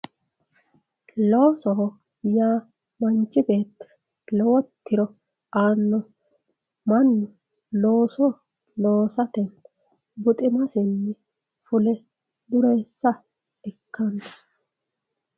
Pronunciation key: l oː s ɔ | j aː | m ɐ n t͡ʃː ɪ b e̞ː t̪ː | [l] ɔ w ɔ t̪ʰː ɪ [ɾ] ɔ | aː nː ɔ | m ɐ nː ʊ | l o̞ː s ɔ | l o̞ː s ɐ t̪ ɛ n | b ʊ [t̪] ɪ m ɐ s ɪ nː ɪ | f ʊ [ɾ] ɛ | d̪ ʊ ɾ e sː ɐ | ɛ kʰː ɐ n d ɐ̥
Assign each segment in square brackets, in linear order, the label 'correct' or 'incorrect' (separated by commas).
correct, correct, incorrect, incorrect